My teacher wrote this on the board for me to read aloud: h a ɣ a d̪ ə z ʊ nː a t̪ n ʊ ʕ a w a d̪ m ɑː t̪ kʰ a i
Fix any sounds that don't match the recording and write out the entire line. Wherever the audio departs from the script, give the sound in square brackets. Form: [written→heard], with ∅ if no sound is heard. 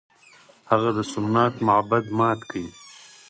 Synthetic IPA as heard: h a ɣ a d̪ ə [z→s] ʊ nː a t̪ [n→m] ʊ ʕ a [w→b] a d̪ m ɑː t̪ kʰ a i

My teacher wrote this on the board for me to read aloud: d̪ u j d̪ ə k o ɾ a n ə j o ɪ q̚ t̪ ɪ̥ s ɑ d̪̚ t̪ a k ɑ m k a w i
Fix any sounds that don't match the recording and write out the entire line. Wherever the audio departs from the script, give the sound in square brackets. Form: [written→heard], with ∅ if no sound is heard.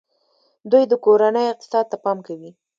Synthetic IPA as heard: d̪ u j d̪ ə k o ɾ a n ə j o ɪ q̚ t̪ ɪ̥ s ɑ d̪̚ t̪ a [k→p] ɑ m k a w i

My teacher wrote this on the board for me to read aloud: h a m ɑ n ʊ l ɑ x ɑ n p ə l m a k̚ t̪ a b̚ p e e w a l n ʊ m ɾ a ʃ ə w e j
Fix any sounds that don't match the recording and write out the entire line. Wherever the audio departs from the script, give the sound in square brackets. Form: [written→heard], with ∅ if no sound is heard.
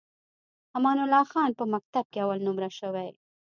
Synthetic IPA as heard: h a m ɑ n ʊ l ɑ x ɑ n p ə [l→∅] m a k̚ t̪ a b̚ [p→k] e [e→a] w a l n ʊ m ɾ a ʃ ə w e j

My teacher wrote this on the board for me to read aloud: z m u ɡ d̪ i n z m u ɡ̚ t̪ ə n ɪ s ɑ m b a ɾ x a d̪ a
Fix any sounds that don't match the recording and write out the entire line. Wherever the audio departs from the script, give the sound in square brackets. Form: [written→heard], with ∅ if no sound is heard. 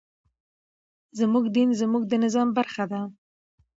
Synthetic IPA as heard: z m u ɡ d̪ i n z m u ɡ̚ [t̪→d̪] ə n ɪ [s→z] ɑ m b a ɾ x a d̪ a

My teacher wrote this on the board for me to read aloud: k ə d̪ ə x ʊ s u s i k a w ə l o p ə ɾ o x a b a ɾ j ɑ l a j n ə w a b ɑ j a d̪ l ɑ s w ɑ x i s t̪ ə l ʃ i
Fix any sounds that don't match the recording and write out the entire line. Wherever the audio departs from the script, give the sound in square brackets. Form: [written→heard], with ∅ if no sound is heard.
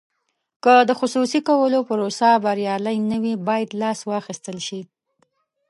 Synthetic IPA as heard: k ə d̪ ə x ʊ s u s i k a w ə l o p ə ɾ o [x→s] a b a ɾ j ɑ l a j n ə w [a→i] b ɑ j a d̪ l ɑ s w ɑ x i s t̪ ə l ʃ i

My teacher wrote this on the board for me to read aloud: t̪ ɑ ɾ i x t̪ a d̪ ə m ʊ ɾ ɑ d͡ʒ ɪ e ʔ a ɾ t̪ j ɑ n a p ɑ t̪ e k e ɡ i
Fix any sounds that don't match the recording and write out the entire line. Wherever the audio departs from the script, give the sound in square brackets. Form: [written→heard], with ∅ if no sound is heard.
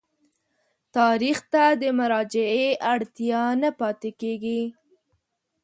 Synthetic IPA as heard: t̪ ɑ ɾ i x t̪ a d̪ ə m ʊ ɾ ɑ d͡ʒ ɪ e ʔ a [ɾ→ɽ] t̪ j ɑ n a p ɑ t̪ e k e ɡ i

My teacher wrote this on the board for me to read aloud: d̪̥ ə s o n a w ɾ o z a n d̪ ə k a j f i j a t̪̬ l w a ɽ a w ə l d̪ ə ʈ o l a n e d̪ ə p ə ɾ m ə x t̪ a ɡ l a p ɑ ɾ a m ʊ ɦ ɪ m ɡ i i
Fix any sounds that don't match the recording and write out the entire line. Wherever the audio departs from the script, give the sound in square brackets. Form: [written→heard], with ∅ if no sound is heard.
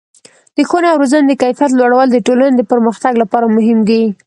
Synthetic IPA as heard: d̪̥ ə [s→x] o n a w ɾ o z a n d̪ ə k a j f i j a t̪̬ l w a ɽ a w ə l d̪ ə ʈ o l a n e d̪ ə p ə ɾ m ə x t̪ a ɡ l a p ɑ ɾ a m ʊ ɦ ɪ m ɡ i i

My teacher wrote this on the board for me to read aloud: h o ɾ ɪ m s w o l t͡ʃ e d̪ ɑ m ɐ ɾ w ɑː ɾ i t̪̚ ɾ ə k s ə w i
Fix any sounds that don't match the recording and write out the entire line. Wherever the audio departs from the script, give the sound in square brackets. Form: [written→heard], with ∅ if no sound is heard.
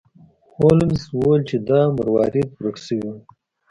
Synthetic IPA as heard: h o [ɾ→l] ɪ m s w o l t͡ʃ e d̪ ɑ m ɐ ɾ w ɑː ɾ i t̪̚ ɾ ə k s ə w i

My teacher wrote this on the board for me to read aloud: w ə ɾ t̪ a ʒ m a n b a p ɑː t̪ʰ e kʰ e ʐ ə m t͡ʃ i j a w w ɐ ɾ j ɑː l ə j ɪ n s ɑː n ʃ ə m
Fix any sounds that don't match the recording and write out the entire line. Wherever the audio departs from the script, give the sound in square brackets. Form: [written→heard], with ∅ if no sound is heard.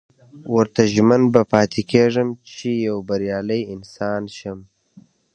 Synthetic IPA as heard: w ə ɾ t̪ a ʒ m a n b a p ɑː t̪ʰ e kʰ e ʐ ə m t͡ʃ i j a w [w→b] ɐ ɾ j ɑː l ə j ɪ n s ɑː n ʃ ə m

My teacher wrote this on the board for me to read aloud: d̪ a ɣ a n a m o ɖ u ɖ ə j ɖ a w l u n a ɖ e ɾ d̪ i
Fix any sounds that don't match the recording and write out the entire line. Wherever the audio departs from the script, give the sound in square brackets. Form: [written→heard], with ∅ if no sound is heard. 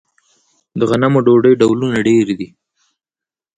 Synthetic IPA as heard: d̪ [a→ə] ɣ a n a m o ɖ [u→o] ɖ ə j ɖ a w l u n a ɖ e ɾ d̪ i

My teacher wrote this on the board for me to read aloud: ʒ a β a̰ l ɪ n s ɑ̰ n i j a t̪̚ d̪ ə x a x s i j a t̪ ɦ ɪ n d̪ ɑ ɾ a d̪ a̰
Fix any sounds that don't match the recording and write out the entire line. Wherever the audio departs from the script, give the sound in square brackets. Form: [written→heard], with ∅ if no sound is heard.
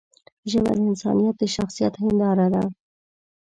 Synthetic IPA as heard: ʒ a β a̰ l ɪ n s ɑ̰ n i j a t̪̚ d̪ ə [x→ʃ] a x s i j a t̪ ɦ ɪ n d̪ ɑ ɾ a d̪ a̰

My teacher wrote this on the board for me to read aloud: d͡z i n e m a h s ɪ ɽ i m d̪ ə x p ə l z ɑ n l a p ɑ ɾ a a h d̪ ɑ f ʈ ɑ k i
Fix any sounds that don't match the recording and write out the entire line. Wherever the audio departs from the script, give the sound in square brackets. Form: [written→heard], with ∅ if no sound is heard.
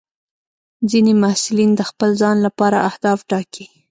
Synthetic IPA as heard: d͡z i n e m a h s ɪ [ɽ→l] i [m→n] d̪ ə x p ə l z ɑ n l a p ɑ ɾ a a h d̪ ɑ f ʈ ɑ k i

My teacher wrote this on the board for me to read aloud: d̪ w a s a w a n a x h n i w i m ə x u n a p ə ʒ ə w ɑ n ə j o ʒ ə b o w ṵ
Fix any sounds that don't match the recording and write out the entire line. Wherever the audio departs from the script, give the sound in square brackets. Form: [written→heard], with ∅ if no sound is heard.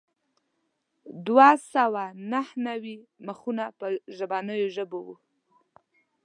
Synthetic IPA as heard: d̪ w a s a w a n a [x→∅] h n [i→a] w i m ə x u n a p ə ʒ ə [w→b] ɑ n ə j o ʒ ə b o w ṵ

